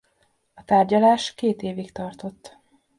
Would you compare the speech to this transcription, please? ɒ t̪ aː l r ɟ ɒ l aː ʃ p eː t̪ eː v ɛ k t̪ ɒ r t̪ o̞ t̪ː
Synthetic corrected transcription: ɒ t̪ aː r ɟ ɒ l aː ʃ k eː t̪ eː v i k t̪ ɒ r t̪ o̞ t̪ː